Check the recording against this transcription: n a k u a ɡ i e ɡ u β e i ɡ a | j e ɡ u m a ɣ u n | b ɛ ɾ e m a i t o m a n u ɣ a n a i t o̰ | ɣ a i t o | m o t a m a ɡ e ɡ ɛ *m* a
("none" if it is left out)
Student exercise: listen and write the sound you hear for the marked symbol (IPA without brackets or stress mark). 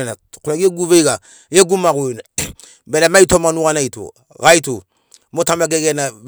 n